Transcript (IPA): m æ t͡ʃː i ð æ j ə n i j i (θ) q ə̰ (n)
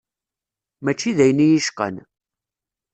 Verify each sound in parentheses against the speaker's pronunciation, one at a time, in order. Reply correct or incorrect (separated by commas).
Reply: incorrect, correct